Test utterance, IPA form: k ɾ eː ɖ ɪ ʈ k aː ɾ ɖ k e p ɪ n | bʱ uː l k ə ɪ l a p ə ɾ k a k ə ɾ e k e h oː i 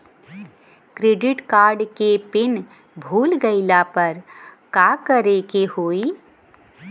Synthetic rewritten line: k ɾ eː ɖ ɪ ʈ k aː ɾ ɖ k e p ɪ n | bʱ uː l ɡ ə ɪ l a p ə ɾ k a k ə ɾ e k e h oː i